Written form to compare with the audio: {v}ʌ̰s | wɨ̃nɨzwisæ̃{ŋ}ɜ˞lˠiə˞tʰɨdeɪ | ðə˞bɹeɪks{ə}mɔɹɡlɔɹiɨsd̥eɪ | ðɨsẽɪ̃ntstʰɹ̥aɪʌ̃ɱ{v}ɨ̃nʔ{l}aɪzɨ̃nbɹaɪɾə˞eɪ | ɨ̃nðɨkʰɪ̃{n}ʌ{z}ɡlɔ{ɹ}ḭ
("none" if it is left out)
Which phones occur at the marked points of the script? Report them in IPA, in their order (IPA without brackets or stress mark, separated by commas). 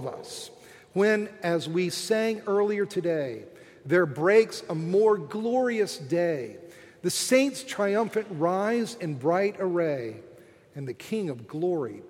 v, ŋ, ə, f, ɹ, ŋ, v, ɹ